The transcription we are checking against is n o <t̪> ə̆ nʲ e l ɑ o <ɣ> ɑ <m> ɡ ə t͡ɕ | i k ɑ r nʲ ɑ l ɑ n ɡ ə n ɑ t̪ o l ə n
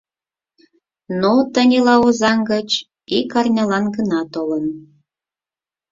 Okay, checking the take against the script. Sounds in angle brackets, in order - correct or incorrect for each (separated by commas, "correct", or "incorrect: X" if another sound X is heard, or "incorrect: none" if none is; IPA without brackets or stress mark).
correct, incorrect: z, incorrect: ŋ